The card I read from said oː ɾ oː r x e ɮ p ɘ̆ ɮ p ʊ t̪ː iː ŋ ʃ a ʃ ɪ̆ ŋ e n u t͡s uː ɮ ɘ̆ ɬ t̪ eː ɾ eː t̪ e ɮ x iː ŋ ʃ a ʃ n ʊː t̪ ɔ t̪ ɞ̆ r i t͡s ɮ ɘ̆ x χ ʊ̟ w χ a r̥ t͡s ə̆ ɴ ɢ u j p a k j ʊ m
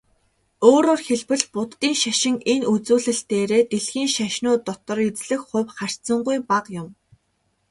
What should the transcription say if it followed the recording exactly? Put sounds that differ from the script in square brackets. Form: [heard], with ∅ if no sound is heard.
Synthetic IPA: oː ɾ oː r x e ɮ p ɘ̆ ɮ p ʊ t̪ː iː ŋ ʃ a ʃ ɪ̆ ŋ e n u t͡s uː ɮ ɘ̆ ɬ t̪ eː ɾ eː t̪ e ɮ x iː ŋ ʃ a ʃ n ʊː t̪ ɔ t̪ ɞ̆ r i t͡s ɮ ɘ̆ x χ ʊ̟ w χ a r̥ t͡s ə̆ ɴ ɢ u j p a [q] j ʊ m